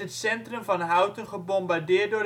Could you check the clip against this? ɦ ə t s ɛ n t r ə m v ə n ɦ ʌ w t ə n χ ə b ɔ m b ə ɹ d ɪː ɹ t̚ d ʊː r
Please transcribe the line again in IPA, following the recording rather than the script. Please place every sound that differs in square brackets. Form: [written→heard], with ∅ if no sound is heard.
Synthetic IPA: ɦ ə t s ɛ n t r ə m v [ə→ɑ] n ɦ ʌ w t ə n χ ə b ɔ m b [ə→a] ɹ d ɪː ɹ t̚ d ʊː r